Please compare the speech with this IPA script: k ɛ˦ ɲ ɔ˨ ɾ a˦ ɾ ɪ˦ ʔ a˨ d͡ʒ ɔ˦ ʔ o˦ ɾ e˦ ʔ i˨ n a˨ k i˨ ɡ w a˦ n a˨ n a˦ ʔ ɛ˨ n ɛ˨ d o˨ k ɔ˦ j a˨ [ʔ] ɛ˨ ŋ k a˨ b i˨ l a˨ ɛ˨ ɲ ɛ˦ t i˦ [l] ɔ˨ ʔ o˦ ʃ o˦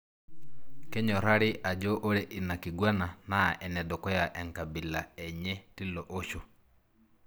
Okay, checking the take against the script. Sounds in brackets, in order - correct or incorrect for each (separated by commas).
correct, correct